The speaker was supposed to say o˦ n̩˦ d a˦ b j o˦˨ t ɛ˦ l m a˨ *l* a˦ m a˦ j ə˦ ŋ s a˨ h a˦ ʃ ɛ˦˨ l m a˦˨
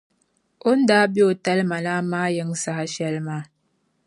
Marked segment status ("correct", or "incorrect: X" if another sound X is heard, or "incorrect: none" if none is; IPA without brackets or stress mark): correct